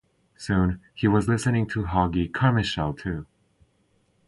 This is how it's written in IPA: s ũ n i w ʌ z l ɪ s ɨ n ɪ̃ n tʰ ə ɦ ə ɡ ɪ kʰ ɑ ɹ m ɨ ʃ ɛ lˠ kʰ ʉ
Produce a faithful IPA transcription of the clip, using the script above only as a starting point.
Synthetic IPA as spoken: s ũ n i w ʌ z l ɪ s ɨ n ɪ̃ ŋ tʰ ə ɦ ɑ ɡ i kʰ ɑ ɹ m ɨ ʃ ɛ lˠ tʰ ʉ